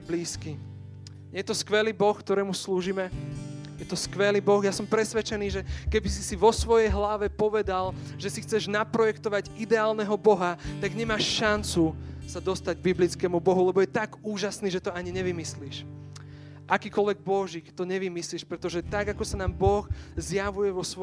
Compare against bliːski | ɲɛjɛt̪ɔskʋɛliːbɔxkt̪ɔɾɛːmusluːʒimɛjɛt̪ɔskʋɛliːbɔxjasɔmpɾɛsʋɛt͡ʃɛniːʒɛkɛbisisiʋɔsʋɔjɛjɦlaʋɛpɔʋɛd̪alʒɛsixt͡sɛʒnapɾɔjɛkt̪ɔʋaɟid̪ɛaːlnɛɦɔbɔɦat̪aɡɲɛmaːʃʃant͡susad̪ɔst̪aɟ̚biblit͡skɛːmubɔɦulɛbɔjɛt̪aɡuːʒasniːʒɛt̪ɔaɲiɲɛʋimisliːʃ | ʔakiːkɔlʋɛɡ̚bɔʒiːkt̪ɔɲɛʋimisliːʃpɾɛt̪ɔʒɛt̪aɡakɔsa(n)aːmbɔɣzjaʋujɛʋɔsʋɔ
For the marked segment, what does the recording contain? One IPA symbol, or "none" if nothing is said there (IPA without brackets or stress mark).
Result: n